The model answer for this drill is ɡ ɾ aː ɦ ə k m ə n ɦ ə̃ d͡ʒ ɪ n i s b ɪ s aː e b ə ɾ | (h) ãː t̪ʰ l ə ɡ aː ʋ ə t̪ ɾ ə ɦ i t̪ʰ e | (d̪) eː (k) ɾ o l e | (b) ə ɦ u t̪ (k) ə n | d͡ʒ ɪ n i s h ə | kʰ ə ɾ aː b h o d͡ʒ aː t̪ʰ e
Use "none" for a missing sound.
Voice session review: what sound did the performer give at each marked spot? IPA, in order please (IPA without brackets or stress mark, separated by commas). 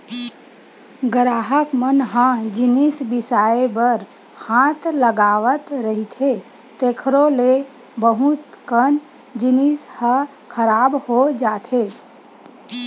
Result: h, t̪, kʰ, b, k